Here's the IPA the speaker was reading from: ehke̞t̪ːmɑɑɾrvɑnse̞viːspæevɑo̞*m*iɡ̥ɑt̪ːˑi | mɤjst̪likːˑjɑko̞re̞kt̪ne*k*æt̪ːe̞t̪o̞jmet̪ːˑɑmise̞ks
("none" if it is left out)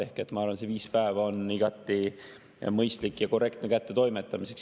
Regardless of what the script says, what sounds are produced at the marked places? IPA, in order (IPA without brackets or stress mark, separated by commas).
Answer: n, k